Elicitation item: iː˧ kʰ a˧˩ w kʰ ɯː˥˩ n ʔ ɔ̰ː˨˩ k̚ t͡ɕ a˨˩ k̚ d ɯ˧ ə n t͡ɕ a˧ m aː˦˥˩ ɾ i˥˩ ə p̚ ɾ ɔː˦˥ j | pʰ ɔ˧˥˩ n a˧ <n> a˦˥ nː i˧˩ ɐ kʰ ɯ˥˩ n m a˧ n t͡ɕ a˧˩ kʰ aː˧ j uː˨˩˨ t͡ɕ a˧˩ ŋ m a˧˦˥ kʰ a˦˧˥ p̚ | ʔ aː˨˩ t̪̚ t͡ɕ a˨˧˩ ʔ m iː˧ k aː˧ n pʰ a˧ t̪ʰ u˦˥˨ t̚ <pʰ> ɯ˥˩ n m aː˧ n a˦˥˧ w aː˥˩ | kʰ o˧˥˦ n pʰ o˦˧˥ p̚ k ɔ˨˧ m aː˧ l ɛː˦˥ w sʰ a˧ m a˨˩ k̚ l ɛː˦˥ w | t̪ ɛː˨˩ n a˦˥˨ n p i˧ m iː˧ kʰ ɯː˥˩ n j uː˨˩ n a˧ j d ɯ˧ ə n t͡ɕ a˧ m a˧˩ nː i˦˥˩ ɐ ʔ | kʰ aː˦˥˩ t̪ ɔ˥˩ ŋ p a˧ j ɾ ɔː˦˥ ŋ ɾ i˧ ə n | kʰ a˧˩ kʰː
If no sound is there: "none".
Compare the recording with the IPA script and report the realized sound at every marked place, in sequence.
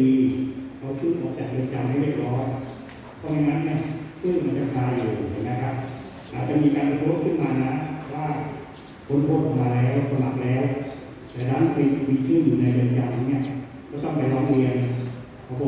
ŋ, kʰ

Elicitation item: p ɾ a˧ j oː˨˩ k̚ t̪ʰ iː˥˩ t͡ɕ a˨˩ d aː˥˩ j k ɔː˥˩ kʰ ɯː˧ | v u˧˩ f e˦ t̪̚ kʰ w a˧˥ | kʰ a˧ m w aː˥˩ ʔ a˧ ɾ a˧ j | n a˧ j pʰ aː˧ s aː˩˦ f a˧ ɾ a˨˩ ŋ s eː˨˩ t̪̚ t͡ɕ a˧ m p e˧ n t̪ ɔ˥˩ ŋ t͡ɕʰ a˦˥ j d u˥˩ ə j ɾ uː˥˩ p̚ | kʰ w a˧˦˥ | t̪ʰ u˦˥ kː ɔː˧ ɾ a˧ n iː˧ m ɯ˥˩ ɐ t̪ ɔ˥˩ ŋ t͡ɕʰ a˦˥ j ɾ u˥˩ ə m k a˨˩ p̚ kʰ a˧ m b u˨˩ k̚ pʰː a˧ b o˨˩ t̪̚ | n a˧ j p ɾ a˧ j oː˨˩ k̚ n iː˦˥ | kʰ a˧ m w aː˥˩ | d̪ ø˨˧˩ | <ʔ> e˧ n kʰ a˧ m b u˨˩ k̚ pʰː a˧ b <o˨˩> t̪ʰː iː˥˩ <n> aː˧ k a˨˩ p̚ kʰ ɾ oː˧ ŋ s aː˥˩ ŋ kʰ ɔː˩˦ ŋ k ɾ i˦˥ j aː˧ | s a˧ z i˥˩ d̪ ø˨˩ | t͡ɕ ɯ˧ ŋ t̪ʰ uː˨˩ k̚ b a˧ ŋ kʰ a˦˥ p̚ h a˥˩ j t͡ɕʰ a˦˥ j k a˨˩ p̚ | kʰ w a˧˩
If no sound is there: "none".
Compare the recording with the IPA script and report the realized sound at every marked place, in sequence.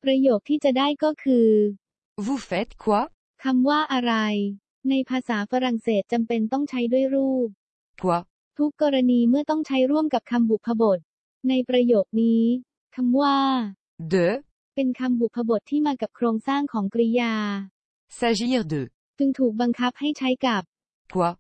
p, o˨˩, m

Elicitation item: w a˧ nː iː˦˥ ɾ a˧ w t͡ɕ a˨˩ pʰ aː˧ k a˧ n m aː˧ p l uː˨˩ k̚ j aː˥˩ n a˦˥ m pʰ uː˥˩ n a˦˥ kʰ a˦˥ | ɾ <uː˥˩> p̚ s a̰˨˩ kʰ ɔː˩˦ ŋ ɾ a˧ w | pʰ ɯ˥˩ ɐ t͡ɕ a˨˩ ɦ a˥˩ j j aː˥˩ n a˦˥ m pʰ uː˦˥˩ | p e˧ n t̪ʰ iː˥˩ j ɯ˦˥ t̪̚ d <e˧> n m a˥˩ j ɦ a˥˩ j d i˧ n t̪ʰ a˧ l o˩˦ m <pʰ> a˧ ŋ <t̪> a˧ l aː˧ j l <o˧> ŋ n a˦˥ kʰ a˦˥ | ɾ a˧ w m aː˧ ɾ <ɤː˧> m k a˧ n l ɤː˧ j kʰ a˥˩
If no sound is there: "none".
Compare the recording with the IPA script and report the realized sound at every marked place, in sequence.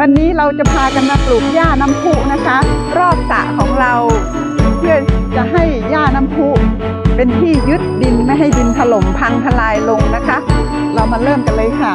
ɔː˥˩, i˧, pʰ, t̪ʰ, o˧, ɤː˥˩

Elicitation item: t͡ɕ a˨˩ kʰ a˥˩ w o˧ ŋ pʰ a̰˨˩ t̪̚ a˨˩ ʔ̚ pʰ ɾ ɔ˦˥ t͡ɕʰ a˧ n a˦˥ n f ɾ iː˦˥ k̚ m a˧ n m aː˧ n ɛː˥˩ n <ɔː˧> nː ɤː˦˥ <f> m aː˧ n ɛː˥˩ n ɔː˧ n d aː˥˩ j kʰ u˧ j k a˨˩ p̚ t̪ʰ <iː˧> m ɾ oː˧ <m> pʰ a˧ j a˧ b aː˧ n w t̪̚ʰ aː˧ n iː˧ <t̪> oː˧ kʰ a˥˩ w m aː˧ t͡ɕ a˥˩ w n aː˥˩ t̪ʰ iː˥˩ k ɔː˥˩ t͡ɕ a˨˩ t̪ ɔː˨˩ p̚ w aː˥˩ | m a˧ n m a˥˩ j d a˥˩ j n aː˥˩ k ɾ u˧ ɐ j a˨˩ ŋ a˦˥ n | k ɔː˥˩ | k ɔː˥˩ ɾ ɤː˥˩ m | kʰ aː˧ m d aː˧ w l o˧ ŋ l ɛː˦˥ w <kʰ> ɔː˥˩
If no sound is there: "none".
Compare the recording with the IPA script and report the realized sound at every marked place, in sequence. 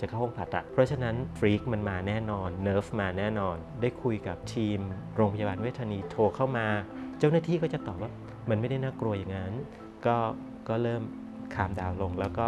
ɔː˧, f, iː˧, ŋ, t̪ʰ, k

